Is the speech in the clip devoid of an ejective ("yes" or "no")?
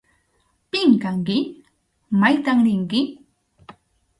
yes